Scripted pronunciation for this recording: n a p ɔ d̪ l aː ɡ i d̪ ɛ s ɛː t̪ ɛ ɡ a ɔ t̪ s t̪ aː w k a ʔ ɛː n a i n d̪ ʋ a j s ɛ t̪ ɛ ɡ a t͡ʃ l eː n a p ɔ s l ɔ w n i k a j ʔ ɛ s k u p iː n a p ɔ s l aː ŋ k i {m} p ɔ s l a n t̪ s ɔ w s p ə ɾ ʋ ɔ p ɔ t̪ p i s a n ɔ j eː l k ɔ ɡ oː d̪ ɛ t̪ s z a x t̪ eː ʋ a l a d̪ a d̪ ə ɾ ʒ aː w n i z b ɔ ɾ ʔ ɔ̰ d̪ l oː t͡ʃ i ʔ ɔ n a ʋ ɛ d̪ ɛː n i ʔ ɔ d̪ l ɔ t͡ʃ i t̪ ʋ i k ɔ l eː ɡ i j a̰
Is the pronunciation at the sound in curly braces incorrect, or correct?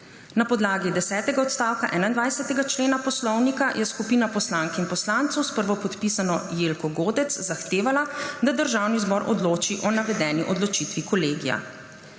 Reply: incorrect